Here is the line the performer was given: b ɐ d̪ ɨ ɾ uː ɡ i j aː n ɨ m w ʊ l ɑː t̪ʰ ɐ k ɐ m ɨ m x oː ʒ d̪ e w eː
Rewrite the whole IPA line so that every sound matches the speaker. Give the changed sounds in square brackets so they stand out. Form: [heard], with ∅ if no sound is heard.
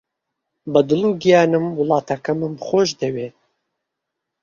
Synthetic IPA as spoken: b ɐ d̪ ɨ [l] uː ɡ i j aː n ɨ m w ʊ l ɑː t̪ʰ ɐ k ɐ m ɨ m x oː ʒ d̪ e w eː